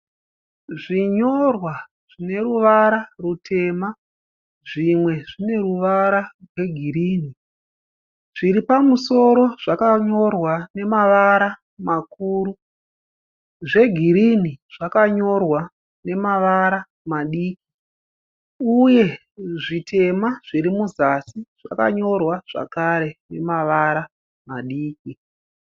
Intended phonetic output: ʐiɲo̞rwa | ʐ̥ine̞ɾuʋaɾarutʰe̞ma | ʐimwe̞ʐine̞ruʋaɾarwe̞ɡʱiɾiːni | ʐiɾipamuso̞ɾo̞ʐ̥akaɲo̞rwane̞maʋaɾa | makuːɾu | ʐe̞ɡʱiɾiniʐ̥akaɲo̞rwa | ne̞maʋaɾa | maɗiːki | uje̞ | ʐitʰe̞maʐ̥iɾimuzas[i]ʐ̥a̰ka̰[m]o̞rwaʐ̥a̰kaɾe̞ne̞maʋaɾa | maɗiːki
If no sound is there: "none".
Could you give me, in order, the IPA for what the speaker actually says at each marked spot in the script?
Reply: i, ɲ

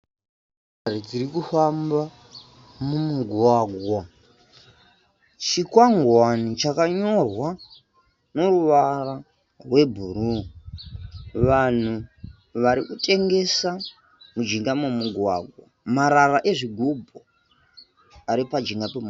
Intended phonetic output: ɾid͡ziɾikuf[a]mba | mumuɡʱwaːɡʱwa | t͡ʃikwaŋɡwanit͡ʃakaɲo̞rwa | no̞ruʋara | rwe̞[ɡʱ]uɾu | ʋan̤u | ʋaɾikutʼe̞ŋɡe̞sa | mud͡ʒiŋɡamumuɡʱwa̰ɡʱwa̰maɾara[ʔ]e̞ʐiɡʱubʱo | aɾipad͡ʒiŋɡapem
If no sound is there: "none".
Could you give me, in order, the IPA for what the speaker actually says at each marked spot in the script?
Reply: a, bʱ, ʔ

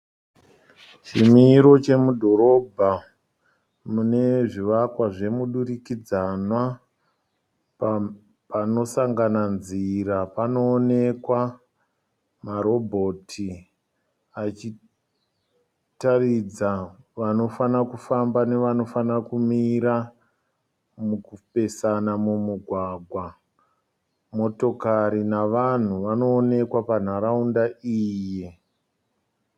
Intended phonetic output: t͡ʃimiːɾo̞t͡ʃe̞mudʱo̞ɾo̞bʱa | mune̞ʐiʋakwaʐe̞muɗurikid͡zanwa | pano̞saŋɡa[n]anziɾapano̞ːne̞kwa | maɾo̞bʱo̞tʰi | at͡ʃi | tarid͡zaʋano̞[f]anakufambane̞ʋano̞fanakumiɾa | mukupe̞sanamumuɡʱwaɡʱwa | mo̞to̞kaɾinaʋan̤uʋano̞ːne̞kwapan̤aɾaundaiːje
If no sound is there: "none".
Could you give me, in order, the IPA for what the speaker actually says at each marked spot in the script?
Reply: n, f

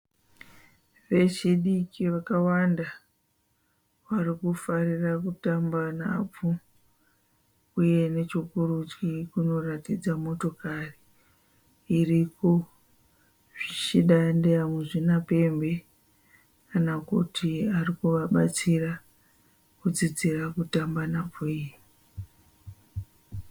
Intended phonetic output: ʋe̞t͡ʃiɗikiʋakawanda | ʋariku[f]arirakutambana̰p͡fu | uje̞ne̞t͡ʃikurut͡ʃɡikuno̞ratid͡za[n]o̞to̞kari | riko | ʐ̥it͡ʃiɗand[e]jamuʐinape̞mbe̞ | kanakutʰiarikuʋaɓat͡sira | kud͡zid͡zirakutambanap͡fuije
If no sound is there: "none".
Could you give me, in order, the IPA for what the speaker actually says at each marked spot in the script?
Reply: f, m, e

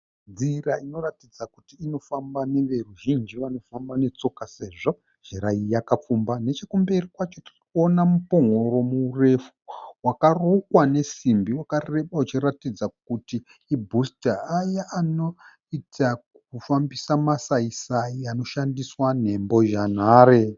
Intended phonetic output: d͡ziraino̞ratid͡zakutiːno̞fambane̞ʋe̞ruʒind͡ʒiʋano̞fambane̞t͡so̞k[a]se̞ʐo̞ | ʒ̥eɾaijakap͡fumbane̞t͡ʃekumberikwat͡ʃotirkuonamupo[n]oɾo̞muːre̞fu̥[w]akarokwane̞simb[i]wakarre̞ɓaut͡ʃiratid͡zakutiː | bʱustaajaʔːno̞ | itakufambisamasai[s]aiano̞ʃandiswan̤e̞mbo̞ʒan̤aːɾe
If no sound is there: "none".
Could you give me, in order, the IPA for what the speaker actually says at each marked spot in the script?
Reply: a, ŋ, w, i, s

